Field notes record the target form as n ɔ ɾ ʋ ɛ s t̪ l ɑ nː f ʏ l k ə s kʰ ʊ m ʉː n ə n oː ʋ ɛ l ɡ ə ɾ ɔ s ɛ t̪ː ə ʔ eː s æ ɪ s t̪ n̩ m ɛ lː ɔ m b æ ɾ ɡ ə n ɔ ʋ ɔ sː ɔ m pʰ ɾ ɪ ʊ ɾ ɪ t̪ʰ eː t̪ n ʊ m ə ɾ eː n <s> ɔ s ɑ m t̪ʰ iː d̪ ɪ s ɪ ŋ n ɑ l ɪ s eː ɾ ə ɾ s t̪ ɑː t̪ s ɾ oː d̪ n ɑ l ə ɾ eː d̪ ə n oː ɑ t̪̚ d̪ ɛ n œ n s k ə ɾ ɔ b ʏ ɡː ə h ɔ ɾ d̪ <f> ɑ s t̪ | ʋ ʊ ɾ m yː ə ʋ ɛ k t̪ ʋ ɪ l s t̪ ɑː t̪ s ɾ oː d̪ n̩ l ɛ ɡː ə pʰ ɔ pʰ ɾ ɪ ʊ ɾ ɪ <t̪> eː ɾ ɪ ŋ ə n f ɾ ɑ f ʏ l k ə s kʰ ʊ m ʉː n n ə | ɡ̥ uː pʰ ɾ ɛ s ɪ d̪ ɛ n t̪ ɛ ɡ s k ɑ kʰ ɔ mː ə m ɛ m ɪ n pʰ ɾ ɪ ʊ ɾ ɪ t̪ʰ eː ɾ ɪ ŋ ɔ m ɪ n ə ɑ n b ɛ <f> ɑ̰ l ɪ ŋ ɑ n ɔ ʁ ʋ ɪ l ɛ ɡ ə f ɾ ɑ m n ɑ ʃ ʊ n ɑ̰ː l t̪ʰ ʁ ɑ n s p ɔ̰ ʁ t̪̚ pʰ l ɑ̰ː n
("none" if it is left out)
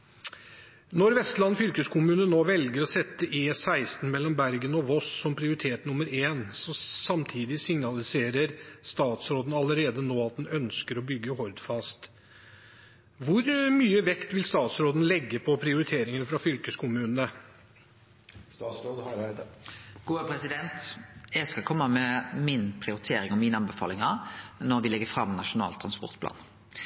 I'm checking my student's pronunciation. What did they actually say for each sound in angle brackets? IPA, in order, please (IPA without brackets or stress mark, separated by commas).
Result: s, f, t̪ʰ, f